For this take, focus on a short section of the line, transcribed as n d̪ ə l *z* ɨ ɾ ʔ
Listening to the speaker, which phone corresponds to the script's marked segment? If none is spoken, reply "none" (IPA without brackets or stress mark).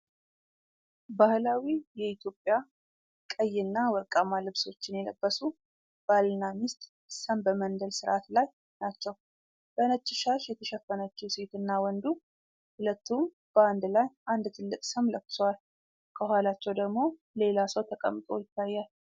s